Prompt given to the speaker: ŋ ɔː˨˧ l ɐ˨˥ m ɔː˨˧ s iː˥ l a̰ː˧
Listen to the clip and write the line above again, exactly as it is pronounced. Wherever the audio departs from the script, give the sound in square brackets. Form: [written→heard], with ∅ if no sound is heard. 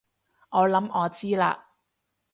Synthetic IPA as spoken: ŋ ɔː˨˧ l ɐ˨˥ m ɔː˨˧ [s→t͡s] iː˥ l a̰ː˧